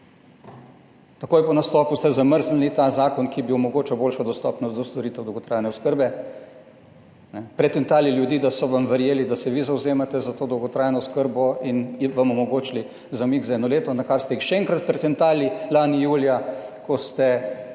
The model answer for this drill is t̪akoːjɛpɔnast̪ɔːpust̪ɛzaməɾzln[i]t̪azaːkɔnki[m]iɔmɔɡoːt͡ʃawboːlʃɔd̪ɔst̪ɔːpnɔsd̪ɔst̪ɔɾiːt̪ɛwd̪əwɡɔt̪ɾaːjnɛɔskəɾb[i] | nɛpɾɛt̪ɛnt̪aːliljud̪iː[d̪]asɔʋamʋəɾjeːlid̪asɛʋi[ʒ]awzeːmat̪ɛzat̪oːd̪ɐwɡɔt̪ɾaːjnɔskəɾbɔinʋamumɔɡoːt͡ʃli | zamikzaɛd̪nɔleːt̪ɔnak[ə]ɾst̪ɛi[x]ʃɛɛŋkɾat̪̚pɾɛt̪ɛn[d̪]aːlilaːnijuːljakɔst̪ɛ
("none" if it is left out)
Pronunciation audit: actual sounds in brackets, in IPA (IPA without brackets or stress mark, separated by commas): i, b, ɛ, d̪, z, a, x, t̪